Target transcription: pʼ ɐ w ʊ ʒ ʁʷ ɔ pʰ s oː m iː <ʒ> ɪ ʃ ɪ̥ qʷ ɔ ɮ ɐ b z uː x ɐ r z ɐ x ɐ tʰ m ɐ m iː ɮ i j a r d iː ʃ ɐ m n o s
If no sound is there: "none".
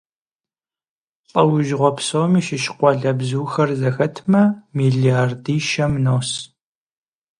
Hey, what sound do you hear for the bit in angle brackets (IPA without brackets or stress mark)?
ʃ